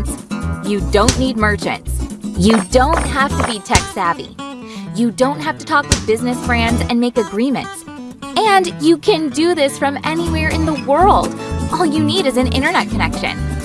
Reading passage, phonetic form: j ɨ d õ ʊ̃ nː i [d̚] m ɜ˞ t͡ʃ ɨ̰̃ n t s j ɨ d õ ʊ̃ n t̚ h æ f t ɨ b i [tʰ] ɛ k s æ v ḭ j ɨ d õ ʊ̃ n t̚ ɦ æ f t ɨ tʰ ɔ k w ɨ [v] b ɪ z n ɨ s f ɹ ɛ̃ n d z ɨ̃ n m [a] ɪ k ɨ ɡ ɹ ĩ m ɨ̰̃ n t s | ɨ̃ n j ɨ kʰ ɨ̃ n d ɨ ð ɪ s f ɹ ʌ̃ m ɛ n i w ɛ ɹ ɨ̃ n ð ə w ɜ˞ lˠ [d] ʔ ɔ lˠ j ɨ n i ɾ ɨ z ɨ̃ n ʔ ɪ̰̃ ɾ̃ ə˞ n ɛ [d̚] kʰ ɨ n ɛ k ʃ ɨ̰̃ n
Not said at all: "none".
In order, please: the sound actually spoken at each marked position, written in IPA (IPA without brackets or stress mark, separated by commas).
d̚, tʰ, ð, e, d, t̚